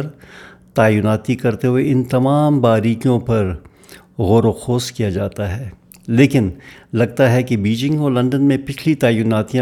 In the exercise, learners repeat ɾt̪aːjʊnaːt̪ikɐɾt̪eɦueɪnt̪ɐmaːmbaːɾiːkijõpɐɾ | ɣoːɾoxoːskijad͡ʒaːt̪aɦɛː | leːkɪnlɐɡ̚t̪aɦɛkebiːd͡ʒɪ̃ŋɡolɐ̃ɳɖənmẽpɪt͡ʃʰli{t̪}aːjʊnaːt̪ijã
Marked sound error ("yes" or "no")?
no